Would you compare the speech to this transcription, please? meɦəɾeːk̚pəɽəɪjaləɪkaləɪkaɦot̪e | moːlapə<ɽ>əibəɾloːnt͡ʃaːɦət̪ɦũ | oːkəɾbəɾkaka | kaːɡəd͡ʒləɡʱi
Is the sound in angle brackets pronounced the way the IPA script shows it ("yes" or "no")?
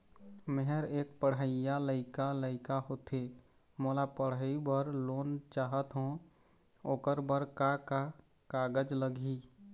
yes